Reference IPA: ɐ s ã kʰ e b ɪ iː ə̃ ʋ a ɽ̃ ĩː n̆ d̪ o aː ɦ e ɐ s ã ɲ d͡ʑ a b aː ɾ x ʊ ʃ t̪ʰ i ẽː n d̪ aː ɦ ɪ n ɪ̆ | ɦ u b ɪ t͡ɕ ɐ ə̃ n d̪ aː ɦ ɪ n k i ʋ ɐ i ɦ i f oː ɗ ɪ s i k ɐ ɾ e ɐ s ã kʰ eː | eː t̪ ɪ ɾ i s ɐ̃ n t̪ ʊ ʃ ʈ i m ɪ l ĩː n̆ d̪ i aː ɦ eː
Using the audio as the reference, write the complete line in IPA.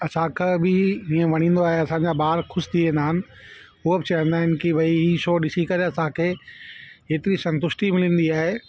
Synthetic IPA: ɐ s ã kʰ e b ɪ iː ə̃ ʋ ɐ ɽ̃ ĩː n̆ d̪ o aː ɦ e ɐ s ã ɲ d͡ʑ a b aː ɾ x ʊ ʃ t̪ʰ i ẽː n d̪ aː ɦ ɪ n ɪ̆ | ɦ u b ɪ t͡ɕ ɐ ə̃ n d̪ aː ɦ ɪ n k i ʋ ɐ i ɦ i ʃ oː ɗ ɪ s i k ɐ ɾ e ɐ s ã kʰ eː | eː t̪ ɪ ɾ i s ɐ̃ n t̪ ʊ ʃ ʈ i m ɪ l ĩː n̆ d̪ i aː ɦ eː